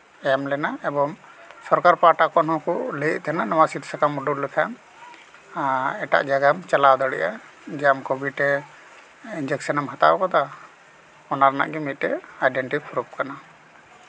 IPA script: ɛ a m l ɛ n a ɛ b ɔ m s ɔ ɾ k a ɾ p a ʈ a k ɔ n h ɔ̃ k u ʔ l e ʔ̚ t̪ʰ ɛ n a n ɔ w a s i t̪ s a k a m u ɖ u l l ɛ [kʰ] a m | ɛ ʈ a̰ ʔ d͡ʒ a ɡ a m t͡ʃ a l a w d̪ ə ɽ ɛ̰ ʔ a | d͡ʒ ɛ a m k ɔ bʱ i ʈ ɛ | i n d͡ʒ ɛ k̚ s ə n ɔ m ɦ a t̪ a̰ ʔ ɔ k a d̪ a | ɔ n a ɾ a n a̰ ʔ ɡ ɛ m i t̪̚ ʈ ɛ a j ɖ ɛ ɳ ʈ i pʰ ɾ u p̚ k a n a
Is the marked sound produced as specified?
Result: yes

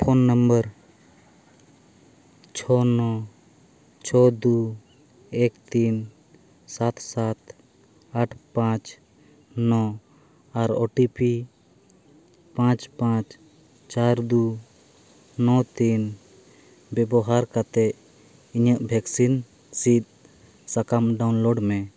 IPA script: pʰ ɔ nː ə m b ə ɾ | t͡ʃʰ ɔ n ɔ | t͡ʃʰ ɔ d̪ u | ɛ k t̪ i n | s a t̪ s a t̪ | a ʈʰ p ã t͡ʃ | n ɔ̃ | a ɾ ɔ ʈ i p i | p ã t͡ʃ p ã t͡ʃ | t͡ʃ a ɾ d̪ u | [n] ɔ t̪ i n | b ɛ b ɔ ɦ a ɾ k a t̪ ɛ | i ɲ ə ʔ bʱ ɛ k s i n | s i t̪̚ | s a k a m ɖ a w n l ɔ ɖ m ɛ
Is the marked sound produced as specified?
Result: yes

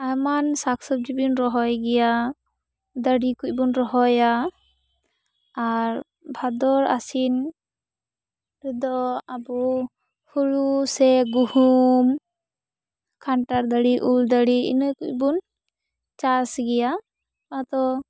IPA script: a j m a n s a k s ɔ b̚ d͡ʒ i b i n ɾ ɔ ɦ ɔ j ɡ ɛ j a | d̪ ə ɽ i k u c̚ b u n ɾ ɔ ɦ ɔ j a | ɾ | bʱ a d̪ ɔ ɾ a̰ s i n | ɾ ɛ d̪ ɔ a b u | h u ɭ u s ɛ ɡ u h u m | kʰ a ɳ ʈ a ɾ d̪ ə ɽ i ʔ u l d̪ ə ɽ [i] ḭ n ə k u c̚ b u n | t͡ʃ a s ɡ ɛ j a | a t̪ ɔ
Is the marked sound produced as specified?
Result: yes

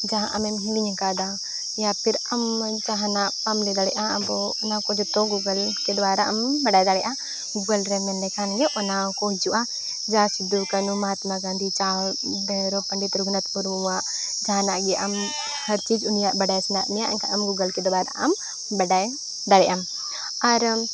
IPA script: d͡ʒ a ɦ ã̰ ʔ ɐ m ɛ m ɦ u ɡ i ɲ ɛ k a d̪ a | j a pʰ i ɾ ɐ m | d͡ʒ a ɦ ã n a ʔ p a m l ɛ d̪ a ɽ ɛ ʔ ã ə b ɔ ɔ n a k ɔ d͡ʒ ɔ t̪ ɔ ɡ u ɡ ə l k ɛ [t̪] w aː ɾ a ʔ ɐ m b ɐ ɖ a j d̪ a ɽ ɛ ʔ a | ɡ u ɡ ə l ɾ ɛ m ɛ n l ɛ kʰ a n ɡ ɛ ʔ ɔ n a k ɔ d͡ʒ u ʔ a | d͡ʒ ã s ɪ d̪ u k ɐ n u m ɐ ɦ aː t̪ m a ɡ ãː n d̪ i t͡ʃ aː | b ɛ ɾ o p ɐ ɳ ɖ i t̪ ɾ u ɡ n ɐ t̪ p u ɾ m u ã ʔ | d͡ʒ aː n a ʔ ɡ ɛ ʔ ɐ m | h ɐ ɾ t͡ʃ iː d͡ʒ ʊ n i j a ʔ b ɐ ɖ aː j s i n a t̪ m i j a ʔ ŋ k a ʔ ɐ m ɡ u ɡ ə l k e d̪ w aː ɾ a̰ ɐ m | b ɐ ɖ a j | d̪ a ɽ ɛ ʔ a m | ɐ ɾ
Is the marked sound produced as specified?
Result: no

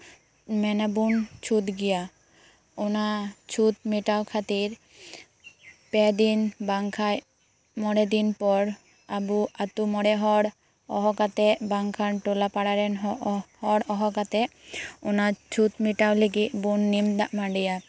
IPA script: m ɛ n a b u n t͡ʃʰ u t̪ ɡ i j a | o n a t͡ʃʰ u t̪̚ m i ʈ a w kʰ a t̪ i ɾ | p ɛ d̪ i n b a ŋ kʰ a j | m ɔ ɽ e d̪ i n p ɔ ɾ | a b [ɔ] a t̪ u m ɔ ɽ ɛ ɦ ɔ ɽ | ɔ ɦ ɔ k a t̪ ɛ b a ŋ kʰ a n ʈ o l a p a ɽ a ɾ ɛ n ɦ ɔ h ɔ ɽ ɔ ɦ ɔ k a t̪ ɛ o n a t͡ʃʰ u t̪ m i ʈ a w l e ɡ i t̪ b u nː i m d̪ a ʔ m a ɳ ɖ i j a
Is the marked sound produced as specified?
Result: no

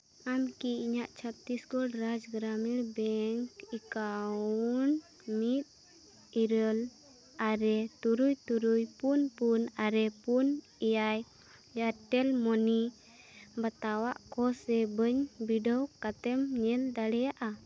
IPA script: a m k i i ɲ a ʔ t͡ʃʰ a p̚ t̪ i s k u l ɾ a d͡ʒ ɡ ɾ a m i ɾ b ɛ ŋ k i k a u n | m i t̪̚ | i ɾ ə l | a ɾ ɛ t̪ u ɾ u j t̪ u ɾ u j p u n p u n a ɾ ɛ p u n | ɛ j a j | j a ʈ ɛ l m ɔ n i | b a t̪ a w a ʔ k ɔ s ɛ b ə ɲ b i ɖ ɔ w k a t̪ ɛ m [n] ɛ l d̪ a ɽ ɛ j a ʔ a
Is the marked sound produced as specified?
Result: no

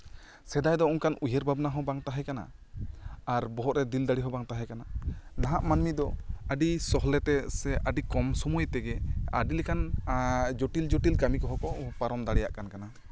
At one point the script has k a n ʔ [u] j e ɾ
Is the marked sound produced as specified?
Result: yes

